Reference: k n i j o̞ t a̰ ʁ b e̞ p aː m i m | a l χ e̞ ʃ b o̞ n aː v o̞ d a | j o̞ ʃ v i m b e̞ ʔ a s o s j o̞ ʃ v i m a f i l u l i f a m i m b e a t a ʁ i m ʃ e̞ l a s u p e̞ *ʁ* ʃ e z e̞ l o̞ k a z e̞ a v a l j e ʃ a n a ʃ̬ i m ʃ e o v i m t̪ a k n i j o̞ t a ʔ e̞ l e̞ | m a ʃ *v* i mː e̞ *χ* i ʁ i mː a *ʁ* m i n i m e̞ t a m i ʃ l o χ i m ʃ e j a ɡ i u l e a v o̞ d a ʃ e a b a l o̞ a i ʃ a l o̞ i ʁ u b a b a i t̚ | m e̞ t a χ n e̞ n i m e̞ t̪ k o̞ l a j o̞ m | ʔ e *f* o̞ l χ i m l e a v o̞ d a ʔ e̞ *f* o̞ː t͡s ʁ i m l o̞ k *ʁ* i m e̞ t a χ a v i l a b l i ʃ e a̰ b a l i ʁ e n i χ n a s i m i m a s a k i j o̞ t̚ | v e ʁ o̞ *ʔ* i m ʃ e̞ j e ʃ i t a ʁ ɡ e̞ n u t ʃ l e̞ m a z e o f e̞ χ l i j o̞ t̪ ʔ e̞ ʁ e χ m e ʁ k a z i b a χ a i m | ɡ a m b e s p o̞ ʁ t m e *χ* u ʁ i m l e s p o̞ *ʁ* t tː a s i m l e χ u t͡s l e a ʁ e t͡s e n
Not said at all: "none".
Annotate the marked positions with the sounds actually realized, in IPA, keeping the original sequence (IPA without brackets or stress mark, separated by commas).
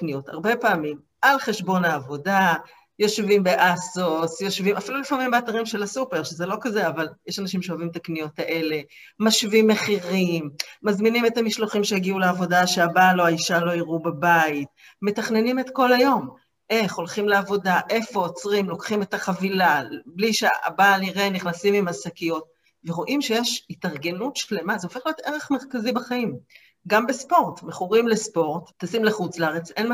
ʁ, v, χ, z, χ, f, χ, ʔ, χ, ʁ